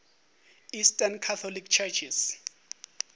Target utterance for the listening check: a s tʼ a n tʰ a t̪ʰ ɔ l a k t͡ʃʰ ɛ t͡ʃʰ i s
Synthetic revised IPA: i s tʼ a n kʰ a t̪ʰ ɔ l i k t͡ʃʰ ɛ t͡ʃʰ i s